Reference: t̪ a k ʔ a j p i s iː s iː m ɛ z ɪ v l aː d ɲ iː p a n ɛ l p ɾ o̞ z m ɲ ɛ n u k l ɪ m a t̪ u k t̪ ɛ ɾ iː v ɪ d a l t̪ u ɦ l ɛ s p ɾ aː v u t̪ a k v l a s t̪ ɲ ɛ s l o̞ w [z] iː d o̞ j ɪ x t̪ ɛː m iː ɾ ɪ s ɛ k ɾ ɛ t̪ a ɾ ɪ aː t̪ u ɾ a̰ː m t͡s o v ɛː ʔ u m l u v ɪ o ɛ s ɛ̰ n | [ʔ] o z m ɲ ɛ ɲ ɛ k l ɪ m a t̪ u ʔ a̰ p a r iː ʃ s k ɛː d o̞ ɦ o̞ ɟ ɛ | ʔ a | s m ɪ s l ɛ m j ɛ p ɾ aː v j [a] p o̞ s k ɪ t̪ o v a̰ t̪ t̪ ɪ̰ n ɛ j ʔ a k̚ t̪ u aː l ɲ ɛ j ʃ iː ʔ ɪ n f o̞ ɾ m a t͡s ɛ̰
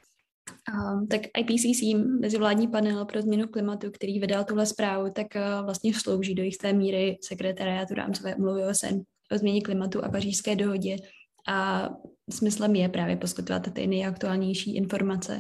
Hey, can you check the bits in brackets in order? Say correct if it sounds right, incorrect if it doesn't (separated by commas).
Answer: incorrect, correct, incorrect